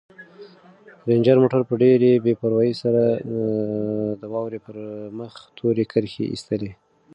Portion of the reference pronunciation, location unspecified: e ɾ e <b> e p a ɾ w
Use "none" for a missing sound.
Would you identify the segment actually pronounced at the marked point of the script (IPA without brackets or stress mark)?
b